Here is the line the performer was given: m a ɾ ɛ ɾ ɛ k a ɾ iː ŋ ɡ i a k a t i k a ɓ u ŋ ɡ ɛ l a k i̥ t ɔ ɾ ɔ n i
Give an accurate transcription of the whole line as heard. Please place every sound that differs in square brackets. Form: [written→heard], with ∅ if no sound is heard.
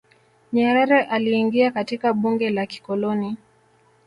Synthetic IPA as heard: [m→ɲ] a ɾ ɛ ɾ ɛ [k→ʔ] a [ɾ→l] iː ŋ ɡ i a k a t i k a ɓ u ŋ ɡ ɛ l a k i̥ [t→k] ɔ [ɾ→l] ɔ n i